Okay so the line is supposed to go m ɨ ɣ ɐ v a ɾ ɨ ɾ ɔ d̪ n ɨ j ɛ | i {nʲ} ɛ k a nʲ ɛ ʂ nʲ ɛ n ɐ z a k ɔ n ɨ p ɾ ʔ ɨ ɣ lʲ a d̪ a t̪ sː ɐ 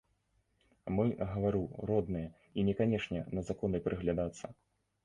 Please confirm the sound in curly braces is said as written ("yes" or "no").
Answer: yes